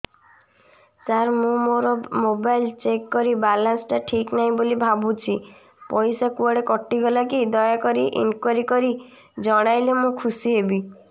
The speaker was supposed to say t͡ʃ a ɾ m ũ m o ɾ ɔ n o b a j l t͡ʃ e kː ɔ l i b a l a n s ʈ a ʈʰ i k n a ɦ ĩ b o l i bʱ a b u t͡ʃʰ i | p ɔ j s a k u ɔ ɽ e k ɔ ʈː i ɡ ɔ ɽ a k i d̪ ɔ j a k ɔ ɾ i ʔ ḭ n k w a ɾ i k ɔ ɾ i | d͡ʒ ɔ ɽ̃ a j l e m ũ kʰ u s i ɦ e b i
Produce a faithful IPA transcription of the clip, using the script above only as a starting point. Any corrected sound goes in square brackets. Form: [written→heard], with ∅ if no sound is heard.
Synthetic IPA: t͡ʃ a ɾ m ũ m o ɾ ɔ [n→m] o b a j l t͡ʃ e kː ɔ [l→ɾ] i b a l a n s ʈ a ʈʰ i k n a ɦ ĩ b o l i bʱ a b u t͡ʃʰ i | p ɔ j s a k u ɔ ɽ e k ɔ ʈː i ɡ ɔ [ɽ→l] a k i d̪ ɔ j a k ɔ ɾ i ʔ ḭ n k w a ɾ i k ɔ ɾ i | d͡ʒ ɔ ɽ̃ a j l e m ũ kʰ u s i ɦ e b i